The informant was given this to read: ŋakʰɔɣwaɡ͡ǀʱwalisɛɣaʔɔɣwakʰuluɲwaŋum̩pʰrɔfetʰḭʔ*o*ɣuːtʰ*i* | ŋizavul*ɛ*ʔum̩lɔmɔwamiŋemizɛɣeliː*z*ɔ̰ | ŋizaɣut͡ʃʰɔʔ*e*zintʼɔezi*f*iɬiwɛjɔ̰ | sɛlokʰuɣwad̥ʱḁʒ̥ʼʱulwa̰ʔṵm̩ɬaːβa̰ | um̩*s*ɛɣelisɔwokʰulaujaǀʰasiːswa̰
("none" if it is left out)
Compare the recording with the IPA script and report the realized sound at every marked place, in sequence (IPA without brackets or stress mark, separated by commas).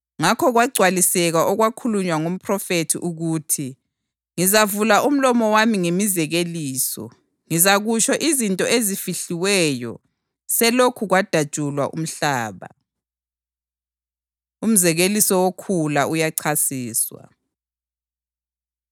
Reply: u, i, a, s, i, f, z